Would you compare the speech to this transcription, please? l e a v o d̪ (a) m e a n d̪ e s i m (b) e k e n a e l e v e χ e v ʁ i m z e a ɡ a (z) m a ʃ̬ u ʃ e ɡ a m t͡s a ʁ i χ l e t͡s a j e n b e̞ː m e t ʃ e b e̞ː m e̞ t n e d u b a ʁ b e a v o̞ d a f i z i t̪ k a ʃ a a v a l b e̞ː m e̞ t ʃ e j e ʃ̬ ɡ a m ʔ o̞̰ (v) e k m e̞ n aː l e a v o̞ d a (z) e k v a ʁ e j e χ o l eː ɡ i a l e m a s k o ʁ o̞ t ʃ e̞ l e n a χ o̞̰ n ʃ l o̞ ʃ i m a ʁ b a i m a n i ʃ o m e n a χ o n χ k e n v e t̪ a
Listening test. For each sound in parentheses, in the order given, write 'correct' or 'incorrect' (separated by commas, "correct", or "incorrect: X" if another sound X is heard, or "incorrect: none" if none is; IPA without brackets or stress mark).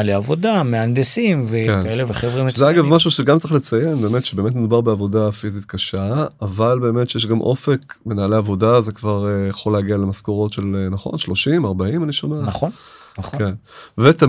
correct, incorrect: v, incorrect: v, incorrect: f, correct